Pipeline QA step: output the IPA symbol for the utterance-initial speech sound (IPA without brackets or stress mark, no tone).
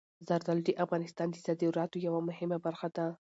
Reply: z